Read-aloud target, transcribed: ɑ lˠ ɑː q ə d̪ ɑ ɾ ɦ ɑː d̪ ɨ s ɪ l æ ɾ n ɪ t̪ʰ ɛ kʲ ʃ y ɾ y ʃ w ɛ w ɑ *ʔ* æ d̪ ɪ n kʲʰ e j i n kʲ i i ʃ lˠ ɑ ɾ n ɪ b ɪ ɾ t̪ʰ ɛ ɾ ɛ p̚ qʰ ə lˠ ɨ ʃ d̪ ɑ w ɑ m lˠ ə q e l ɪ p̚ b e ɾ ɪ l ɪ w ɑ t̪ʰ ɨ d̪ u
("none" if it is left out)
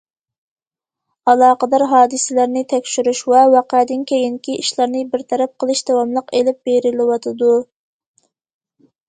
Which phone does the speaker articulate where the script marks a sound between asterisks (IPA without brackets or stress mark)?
q